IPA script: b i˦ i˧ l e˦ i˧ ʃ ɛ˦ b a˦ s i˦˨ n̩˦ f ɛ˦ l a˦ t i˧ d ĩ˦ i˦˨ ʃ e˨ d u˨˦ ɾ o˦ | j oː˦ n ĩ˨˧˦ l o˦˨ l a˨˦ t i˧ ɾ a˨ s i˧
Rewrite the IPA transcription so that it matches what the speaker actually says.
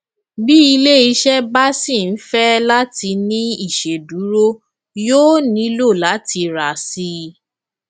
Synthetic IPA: b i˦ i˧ l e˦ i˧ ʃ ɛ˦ b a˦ s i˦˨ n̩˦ f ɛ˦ l a˦ t i˧ n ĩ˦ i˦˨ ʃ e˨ d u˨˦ ɾ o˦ | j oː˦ n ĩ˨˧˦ l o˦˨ l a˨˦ t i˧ ɾ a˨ s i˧